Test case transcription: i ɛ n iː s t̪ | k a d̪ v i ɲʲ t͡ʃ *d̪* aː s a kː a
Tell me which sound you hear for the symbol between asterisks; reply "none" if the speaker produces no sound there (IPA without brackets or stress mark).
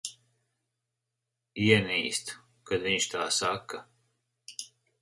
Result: t̪